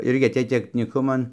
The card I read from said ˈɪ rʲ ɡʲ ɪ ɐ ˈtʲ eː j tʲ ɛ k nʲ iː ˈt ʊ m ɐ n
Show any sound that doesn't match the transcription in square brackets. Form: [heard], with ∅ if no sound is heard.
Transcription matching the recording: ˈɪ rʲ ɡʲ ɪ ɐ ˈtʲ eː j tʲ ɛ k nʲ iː [ˈk] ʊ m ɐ n